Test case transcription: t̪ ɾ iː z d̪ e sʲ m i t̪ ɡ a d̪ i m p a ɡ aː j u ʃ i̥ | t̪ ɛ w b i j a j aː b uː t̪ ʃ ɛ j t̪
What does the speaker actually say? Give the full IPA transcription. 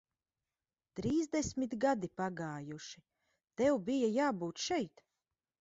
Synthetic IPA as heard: t̪ ɾ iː z d̪ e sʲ m i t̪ ɡ a d̪ i p a ɡ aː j u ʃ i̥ | t̪ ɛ w b i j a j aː b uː t̪ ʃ ɛ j t̪